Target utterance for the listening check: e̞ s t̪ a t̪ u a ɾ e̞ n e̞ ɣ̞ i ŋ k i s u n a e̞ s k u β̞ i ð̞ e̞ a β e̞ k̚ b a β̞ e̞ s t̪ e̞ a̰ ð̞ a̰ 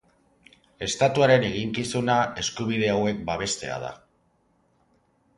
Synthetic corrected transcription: e̞ s t̪ a t̪ u a ɾ e̞ n e̞ ɣ̞ i ŋ k i s u n a e̞ s k u β̞ i ð̞ e̞ a w e̞ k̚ b a β̞ e̞ s t̪ e̞ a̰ ð̞ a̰

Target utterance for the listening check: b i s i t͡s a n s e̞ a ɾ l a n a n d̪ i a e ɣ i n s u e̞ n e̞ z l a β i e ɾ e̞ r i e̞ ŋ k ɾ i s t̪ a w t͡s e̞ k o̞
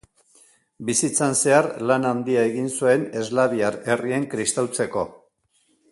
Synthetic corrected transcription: b i s i t͡s a n s e̞ a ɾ l a n a n d̪ i a e ɣ i n s u e̞ n e̞ z l a β i a ɾ e̞ r i e̞ ŋ k ɾ i s t̪ a w t͡s e̞ k o̞

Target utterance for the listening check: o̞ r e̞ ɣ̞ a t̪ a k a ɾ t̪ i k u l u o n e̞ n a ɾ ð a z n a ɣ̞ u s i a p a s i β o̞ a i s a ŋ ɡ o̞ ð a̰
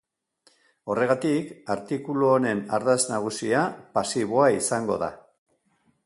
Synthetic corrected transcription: o̞ r e̞ ɣ̞ a t̪ i k a ɾ t̪ i k u l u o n e̞ n a ɾ ð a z n a ɣ̞ u s i a p a s i β o̞ a i s a ŋ ɡ o̞ ð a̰

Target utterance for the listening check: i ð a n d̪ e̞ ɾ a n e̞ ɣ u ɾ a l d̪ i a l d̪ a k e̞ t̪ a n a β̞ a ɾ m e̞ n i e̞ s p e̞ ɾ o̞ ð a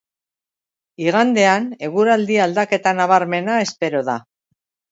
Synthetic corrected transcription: i ɣ a n d̪ e̞ a n e̞ ɣ u ɾ a l d̪ i a l d̪ a k e̞ t̪ a n a β̞ a ɾ m e̞ n a e̞ s p e̞ ɾ o̞ ð a

